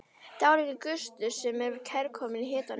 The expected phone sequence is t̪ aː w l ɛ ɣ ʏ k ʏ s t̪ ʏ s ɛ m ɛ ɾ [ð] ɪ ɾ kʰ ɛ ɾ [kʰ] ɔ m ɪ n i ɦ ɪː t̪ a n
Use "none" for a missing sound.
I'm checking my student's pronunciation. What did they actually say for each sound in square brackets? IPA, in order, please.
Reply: v, kʰ

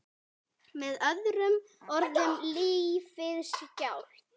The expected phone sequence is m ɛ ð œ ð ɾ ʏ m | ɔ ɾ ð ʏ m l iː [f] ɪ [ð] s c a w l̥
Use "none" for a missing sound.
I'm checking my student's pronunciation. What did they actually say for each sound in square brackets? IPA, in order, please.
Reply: f, ð

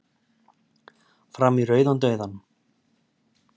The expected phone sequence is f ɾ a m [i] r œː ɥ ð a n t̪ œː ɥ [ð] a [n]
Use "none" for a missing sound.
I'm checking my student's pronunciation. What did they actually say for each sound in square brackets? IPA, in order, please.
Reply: i, ð, n

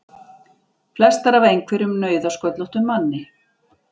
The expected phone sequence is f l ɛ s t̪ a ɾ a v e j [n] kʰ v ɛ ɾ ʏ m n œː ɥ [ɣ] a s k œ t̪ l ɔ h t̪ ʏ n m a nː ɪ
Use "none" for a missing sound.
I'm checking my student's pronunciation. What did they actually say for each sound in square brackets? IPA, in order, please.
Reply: ŋ, ð

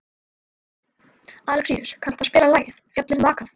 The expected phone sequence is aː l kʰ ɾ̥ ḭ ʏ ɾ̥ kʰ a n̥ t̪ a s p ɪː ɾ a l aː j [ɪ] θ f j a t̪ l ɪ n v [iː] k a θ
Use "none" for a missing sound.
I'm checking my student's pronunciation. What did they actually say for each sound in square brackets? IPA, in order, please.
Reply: ɪ, aː

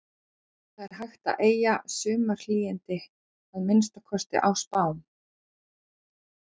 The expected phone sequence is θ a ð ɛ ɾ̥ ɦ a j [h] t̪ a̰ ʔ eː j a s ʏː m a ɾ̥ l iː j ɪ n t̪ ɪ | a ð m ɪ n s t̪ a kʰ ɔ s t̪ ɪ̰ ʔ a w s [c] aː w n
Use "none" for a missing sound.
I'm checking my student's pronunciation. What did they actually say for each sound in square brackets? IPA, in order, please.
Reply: x, p

